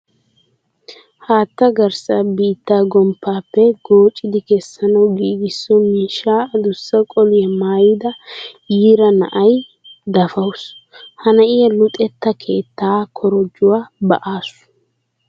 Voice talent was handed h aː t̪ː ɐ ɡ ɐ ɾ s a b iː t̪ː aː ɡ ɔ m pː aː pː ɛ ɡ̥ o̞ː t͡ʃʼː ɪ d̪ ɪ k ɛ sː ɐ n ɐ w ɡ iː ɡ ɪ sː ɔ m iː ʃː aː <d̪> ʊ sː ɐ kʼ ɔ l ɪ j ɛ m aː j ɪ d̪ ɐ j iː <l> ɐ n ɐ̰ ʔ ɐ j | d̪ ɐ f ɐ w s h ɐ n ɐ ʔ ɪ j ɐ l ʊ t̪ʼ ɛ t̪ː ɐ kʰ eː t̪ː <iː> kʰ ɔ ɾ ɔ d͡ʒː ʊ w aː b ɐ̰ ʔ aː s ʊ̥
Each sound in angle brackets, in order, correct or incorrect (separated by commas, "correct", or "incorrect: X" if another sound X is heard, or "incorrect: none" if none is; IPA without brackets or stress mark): correct, incorrect: ɾ, incorrect: aː